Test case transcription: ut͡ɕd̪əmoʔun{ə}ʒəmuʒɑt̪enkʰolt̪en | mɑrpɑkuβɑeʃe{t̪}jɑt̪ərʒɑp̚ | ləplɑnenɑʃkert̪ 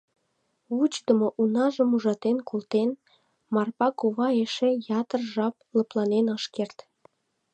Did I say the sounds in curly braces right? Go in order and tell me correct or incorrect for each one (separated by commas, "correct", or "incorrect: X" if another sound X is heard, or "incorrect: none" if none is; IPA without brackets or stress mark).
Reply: incorrect: ɑ, incorrect: none